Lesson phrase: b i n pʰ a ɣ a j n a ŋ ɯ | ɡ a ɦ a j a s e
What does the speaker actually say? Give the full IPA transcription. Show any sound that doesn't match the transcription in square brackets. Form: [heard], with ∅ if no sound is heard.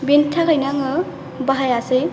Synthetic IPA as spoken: b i n [tʰ] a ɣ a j n a ŋ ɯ | [b] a ɦ a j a s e